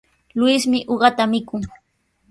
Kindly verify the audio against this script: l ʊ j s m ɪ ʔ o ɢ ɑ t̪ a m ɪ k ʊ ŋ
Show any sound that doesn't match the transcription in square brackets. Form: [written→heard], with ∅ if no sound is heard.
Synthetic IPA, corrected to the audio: l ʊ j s m ɪ ʔ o ɢ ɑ t̪ a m ɪ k ʊ ŋ